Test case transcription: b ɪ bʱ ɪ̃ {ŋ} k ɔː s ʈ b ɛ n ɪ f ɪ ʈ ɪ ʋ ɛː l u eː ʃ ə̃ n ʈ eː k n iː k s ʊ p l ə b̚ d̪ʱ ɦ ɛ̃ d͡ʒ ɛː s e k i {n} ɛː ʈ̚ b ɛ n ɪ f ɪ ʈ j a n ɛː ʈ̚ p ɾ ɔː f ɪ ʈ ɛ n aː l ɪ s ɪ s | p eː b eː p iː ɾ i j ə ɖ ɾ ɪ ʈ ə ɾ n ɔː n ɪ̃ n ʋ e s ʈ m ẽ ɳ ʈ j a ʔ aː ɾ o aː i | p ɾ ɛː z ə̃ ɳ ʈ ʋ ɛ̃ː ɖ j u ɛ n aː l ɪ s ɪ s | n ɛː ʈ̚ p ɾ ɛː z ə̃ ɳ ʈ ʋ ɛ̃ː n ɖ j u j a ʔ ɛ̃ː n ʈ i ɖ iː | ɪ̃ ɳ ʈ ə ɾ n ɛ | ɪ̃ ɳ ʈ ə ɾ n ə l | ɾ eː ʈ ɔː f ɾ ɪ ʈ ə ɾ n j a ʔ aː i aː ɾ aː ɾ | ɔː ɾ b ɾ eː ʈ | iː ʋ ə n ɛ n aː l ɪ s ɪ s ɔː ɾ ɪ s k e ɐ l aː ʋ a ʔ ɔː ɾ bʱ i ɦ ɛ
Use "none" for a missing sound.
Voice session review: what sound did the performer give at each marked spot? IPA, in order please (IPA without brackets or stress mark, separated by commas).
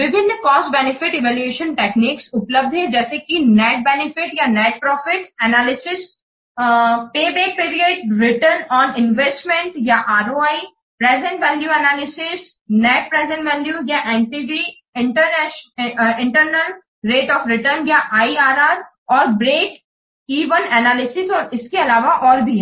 n, n